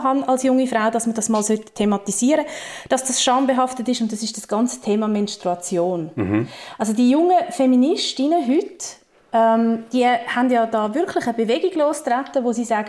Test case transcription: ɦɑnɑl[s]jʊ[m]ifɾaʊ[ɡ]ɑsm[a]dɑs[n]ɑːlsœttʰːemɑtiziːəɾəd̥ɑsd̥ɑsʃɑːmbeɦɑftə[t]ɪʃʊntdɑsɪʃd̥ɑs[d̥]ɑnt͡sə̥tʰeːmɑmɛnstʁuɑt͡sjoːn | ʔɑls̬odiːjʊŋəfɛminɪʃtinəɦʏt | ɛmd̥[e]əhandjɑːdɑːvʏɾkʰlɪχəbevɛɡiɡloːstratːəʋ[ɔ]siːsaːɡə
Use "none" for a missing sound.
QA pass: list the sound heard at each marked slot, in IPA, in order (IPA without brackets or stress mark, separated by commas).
s, ŋ, d, ə, m, t, ɡ̥, i, o